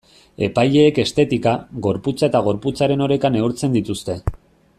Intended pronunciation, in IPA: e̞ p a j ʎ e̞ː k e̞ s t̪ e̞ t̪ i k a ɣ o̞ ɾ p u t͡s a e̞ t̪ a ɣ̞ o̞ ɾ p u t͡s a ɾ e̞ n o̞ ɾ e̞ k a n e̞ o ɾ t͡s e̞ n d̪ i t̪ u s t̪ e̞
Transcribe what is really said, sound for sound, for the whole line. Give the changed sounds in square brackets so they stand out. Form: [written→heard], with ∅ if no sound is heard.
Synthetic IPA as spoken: e̞ p a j ʎ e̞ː k e̞ s t̪ e̞ t̪ i k a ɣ o̞ ɾ p u t͡s a e̞ t̪ a ɣ̞ o̞ ɾ p u t͡s a ɾ e̞ n o̞ ɾ e̞ k a n e̞ [o→u] ɾ t͡s e̞ n d̪ i t̪ u s t̪ e̞